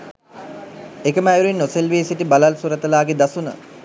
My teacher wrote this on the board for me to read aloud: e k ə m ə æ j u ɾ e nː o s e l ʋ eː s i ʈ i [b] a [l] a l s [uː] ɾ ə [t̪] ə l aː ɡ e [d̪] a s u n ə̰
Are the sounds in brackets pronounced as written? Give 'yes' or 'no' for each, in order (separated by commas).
yes, yes, no, yes, yes